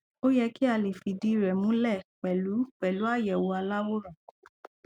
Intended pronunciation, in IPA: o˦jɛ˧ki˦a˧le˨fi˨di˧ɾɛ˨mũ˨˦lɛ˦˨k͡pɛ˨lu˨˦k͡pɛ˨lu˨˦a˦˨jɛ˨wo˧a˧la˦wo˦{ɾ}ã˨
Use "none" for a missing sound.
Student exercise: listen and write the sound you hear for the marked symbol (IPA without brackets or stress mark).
ɾ